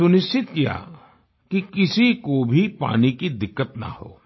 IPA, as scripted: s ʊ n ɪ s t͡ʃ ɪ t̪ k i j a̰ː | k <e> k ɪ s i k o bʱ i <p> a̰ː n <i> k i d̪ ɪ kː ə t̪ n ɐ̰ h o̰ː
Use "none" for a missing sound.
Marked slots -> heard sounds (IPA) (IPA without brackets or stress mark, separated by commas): i, p, i